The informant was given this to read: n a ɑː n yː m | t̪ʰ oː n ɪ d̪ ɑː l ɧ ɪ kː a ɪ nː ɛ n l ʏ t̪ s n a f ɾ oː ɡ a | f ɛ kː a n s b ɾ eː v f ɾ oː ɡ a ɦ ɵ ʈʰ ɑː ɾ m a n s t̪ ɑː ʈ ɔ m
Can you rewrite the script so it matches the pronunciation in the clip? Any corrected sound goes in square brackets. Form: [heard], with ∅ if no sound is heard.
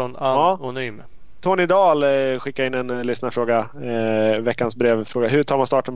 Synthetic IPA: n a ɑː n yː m | t̪ʰ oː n ɪ d̪ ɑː l ɧ ɪ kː a ɪ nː ɛ n l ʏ [∅] s n a f ɾ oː ɡ a | [v] ɛ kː a n s b ɾ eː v f ɾ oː ɡ a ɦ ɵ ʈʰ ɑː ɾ m a n s t̪ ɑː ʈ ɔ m